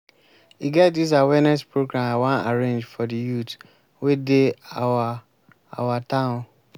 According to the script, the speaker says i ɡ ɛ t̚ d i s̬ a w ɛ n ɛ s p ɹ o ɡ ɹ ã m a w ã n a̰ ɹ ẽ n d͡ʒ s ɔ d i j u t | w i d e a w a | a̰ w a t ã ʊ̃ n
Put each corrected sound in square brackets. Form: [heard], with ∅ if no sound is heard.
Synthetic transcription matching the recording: i ɡ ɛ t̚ d i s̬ a w ɛ n ɛ s p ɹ o ɡ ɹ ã m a w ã n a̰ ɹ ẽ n d͡ʒ [f] ɔ d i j u t | w [e] d e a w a | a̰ w a t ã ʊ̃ n